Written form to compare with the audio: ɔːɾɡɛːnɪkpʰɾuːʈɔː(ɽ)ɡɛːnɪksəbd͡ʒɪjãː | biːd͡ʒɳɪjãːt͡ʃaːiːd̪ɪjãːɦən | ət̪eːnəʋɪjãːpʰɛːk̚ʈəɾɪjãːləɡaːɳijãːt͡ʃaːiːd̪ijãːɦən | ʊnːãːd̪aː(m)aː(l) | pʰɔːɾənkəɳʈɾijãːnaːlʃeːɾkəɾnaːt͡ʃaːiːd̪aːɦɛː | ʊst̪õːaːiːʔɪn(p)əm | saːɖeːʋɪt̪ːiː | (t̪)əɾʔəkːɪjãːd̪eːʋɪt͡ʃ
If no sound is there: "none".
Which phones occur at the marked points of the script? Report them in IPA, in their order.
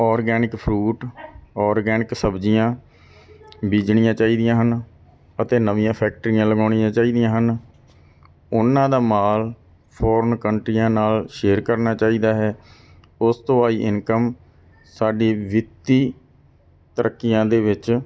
ɾ, m, l, k, t̪

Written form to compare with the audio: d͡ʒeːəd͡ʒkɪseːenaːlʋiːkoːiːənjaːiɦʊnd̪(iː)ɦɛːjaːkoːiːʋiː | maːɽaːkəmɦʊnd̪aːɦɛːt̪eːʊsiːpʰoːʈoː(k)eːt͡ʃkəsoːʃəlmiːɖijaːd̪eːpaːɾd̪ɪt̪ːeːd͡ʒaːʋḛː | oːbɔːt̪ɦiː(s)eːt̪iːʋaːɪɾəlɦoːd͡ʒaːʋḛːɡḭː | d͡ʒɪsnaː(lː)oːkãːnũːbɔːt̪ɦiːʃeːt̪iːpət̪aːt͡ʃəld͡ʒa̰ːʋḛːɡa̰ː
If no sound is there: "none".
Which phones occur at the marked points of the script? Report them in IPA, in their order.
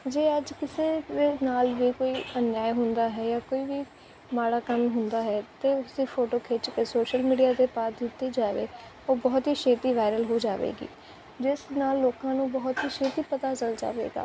aː, kʰ, ʃ, lː

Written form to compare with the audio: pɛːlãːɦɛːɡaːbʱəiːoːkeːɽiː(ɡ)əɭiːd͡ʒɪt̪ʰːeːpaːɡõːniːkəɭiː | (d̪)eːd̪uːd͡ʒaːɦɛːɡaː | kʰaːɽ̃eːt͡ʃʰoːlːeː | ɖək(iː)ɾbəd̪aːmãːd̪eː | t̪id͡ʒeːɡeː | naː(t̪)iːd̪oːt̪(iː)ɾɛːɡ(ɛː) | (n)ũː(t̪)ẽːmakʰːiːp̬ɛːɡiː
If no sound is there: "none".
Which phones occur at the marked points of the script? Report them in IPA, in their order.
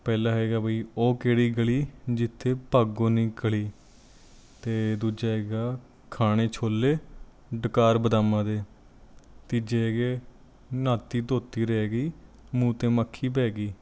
ɡ, t̪, aː, t̪, iː, iː, m, t̪

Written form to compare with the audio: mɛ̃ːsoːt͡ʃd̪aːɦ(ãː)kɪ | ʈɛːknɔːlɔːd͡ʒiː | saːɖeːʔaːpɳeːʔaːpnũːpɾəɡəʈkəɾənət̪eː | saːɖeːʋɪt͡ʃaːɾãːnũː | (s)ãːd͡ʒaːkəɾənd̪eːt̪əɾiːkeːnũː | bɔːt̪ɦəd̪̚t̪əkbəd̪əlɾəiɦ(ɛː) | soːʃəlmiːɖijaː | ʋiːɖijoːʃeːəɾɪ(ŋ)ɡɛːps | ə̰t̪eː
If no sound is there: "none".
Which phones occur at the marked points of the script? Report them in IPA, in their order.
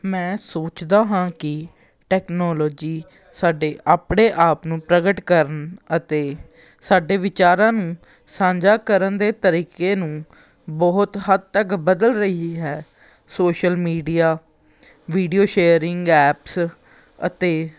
ãː, s, ɛː, ŋ

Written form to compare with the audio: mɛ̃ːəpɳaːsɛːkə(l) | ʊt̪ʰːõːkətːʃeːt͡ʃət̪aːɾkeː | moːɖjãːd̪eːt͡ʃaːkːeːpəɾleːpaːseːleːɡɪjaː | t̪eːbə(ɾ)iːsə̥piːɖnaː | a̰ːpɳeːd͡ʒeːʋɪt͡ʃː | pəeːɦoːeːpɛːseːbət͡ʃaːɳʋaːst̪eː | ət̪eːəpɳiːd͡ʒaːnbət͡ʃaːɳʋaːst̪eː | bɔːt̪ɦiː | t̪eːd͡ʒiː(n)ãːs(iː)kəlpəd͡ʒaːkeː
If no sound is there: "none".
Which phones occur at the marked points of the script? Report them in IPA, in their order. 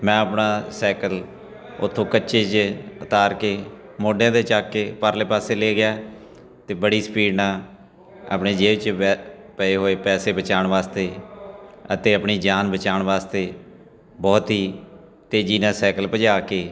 l, ɽ, n, ɛː

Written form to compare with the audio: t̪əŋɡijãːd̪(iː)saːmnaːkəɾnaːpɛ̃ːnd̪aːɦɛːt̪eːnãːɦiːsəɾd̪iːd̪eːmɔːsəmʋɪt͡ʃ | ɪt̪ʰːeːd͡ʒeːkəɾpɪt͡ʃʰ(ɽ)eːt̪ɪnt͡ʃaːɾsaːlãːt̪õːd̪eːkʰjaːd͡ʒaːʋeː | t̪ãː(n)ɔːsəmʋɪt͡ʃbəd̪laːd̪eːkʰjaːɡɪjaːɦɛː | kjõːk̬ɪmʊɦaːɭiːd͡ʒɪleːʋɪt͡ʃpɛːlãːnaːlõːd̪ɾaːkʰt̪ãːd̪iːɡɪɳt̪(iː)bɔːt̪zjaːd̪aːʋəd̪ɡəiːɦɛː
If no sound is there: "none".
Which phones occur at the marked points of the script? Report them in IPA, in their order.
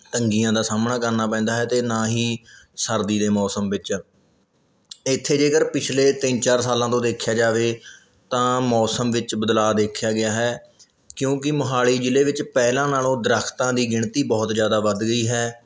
aː, l, m, iː

